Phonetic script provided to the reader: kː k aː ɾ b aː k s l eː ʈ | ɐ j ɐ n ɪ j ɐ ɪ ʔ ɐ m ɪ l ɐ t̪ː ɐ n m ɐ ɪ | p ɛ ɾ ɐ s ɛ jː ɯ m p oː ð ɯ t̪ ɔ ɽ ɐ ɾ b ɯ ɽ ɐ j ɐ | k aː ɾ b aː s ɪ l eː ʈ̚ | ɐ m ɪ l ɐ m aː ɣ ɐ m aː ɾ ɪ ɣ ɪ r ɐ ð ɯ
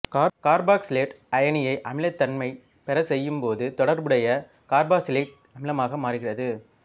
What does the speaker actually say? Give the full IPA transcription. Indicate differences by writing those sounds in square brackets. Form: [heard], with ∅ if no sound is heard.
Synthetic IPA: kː k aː ɾ b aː k s l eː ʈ | ɐ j ɐ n ɪ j ɐ ɪ ʔ ɐ m ɪ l ɐ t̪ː ɐ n m ɐ ɪ | p ɛ ɾ ɐ s ɛ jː ɯ m p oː ð ɯ t̪ ɔ ɽ ɐ ɾ b ɯ ɽ ɐ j ɐ | k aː ɾ b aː s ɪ l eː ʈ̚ | ɐ m ɪ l ɐ m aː ɣ ɐ m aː ɾ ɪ ɣ ɪ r ɐ ð ɯ

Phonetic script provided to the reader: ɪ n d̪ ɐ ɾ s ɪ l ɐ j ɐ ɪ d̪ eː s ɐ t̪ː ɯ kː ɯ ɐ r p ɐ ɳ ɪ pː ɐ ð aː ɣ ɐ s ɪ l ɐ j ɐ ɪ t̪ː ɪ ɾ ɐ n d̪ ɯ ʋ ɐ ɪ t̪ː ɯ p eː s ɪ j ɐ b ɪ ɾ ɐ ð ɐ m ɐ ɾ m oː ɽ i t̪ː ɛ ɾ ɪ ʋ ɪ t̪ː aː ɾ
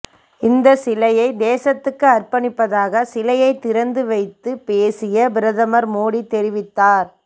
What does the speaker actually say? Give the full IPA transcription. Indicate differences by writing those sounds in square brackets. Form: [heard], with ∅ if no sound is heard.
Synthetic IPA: ɪ n d̪ ɐ [∅] s ɪ l ɐ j ɐ ɪ d̪ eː s ɐ t̪ː ɯ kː ɯ ɐ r p ɐ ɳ ɪ pː ɐ ð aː ɣ ɐ s ɪ l ɐ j ɐ ɪ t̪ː ɪ ɾ ɐ n d̪ ɯ ʋ ɐ ɪ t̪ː ɯ p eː s ɪ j ɐ b ɪ ɾ ɐ ð ɐ m ɐ ɾ m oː ɽ i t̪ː ɛ ɾ ɪ ʋ ɪ t̪ː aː ɾ

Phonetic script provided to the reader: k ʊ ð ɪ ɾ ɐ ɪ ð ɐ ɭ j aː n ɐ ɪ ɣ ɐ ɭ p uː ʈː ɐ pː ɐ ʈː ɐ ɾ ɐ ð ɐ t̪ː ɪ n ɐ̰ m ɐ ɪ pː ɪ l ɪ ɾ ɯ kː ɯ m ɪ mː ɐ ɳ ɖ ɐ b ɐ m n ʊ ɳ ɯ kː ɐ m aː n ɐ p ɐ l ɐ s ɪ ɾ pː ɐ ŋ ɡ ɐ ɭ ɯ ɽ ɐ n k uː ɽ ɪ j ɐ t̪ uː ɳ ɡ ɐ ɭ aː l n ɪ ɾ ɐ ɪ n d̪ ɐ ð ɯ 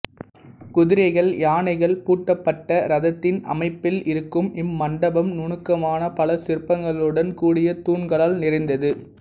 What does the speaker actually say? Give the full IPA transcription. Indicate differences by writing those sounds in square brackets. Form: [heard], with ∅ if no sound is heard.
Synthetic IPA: k ʊ ð ɪ ɾ ɐ ɪ [ɣ] ɐ ɭ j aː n ɐ ɪ ɣ ɐ ɭ p uː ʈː ɐ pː ɐ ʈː ɐ ɾ ɐ ð ɐ t̪ː ɪ n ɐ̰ m ɐ ɪ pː ɪ l ɪ ɾ ɯ kː ɯ m ɪ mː ɐ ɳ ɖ ɐ b ɐ m n ʊ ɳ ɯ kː ɐ m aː n ɐ p ɐ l ɐ s ɪ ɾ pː ɐ ŋ ɡ ɐ ɭ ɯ ɽ ɐ n k uː ɽ ɪ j ɐ t̪ uː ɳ ɡ ɐ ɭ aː l n ɪ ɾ ɐ ɪ n d̪ ɐ ð ɯ

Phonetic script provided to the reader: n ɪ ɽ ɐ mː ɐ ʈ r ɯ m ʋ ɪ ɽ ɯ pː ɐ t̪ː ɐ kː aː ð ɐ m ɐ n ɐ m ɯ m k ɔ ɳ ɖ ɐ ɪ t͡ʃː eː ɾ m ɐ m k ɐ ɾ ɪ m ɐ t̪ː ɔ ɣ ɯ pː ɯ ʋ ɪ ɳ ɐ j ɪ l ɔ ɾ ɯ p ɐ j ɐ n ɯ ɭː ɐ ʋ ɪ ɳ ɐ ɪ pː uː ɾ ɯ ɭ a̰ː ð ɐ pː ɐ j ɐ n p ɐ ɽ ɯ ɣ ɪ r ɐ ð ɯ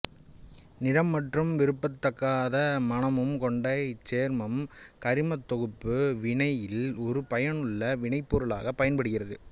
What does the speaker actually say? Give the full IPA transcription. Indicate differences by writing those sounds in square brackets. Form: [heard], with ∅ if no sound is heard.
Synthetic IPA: n ɪ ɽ ɐ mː ɐ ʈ r ɯ m ʋ ɪ [ɾ] ɯ pː ɐ t̪ː ɐ kː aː ð ɐ m ɐ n ɐ m ɯ m k ɔ ɳ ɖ ɐ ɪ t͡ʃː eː ɾ m ɐ m k ɐ ɾ ɪ m ɐ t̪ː ɔ ɣ ɯ pː ɯ ʋ ɪ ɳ ɐ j ɪ l ɔ ɾ ɯ p ɐ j ɐ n ɯ ɭː ɐ ʋ ɪ ɳ ɐ ɪ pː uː ɾ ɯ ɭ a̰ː [ɣ] ɐ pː ɐ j ɐ n p ɐ ɽ ɯ ɣ ɪ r ɐ ð ɯ

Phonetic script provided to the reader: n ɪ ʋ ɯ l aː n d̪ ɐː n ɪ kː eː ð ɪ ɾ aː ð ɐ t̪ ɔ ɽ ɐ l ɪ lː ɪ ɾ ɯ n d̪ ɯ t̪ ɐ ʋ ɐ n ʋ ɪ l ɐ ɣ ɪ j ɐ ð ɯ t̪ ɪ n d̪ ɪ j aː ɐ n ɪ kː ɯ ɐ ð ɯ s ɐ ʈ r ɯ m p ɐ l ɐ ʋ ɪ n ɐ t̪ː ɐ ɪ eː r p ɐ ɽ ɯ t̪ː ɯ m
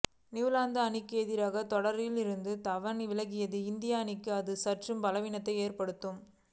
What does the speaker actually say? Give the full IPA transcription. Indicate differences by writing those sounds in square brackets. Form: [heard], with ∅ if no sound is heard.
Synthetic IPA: n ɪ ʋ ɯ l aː n d̪ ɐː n ɪ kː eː ð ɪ ɾ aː [ɣ] ɐ t̪ ɔ ɽ ɐ [ɾ] ɪ [l] ɪ ɾ ɯ n d̪ ɯ t̪ ɐ ʋ ɐ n ʋ ɪ l ɐ ɣ ɪ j ɐ ð ɯ [∅] ɪ n d̪ ɪ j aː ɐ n ɪ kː ɯ ɐ ð ɯ s ɐ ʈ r ɯ m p ɐ l ɐ ʋ ɪ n ɐ t̪ː ɐ ɪ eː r p ɐ ɽ ɯ t̪ː ɯ m

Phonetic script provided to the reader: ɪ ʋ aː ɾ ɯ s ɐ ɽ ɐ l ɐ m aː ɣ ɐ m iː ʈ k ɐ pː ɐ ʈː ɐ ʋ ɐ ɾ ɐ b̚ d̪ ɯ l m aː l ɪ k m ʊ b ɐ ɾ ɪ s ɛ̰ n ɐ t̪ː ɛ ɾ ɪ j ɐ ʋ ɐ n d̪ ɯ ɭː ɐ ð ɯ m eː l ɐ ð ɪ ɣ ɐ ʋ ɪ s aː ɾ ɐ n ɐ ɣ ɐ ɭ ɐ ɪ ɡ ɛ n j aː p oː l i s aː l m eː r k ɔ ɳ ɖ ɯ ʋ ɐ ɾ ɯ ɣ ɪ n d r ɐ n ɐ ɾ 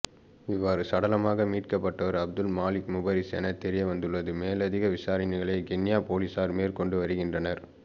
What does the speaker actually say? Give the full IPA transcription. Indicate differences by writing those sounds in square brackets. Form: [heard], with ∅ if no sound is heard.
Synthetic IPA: ɪ [ʋː] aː ɾ ɯ s ɐ ɽ ɐ l ɐ m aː ɣ ɐ m iː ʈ k ɐ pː ɐ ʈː ɐ ʋ ɐ ɾ ɐ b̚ d̪ ɯ l m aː l ɪ k m ʊ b ɐ ɾ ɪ s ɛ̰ n ɐ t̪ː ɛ ɾ ɪ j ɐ ʋ ɐ n d̪ ɯ ɭː ɐ ð ɯ m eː l ɐ ð ɪ ɣ ɐ ʋ ɪ s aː ɾ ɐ n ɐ ɣ ɐ ɭ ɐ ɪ ɡ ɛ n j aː p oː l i s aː [ɾ] m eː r k ɔ ɳ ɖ ɯ ʋ ɐ ɾ ɯ ɣ ɪ n d r ɐ n ɐ ɾ

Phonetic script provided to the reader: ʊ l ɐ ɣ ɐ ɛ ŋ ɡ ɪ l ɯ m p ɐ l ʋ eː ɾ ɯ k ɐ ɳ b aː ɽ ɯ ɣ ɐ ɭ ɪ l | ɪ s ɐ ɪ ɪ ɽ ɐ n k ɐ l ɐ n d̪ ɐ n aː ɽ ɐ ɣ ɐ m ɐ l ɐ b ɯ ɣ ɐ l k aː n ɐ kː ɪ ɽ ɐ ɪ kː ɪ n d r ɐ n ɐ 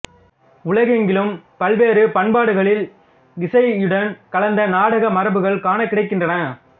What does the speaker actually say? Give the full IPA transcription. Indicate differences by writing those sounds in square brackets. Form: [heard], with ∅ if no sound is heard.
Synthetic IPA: ʊ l ɐ ɣ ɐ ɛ ŋ ɡ ɪ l ɯ m p ɐ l ʋ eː ɾ ɯ [p] ɐ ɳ b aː ɽ ɯ ɣ ɐ ɭ ɪ l | ɪ s ɐ ɪ ɪ ɽ ɐ n k ɐ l ɐ n d̪ ɐ n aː ɽ ɐ ɣ ɐ m ɐ [ɾ] ɐ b ɯ ɣ ɐ [ɭ] k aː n ɐ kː ɪ ɽ ɐ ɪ kː ɪ n d r ɐ n ɐ

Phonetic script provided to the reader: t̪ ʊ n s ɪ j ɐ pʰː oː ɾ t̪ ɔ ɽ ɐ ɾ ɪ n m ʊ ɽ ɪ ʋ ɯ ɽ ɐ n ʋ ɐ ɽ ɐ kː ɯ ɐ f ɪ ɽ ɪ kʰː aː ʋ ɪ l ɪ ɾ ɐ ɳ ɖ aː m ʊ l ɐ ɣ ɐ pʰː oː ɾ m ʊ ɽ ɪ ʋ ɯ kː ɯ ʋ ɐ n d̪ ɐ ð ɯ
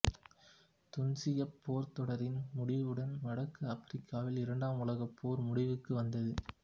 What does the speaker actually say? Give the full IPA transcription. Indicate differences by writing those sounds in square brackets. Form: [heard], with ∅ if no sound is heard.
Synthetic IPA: t̪ ʊ n s ɪ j ɐ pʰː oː ɾ t̪ ɔ ɽ ɐ ɾ ɪ n m ʊ ɽ ɪ ʋ ɯ ɽ ɐ n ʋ ɐ ɽ ɐ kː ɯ ɐ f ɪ [ɾ] ɪ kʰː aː ʋ ɪ l ɪ ɾ ɐ ɳ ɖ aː m ʊ l ɐ ɣ ɐ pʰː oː ɾ m ʊ ɽ ɪ ʋ ɯ kː ɯ ʋ ɐ n d̪ ɐ ð ɯ

